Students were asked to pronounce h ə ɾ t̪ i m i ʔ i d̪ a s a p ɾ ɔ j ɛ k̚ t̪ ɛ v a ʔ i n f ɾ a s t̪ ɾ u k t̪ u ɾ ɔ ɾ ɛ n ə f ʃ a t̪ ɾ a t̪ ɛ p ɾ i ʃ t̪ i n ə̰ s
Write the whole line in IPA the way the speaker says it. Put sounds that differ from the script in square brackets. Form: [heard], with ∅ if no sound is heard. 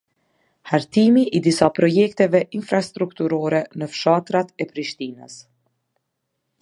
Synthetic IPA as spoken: h [a] ɾ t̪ i m i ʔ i d̪ [i] s a p ɾ ɔ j ɛ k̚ t̪ ɛ v [ɛ] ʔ i n f ɾ a s t̪ ɾ u k t̪ u ɾ ɔ ɾ ɛ n ə f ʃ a t̪ ɾ a t̪ ɛ p ɾ i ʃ t̪ i n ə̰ s